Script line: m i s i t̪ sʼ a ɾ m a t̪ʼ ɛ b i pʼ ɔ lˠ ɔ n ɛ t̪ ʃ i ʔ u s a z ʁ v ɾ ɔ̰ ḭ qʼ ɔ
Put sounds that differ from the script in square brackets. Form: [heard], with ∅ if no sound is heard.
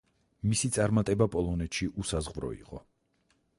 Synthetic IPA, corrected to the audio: m i s i t̪ sʼ a ɾ m a t̪ʼ ɛ b [a] pʼ ɔ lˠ ɔ n ɛ t̪ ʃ i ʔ u s a z ʁ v ɾ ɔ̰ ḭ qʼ ɔ